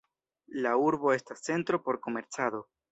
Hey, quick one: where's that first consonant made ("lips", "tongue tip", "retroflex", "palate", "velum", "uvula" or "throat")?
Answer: tongue tip